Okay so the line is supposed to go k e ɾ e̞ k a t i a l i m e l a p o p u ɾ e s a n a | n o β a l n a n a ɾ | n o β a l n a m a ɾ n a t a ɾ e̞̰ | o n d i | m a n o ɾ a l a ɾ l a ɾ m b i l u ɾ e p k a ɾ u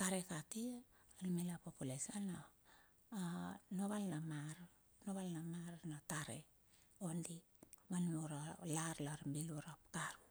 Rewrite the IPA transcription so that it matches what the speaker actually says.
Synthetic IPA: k a ɾ e̞ k a t i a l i m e l a p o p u l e s a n a | n o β a l n a m a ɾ | n o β a l n a m a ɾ n a t a ɾ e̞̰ | o n d i | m a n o ɾ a l a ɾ l a ɾ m b i l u ɾ a p k a ɾ u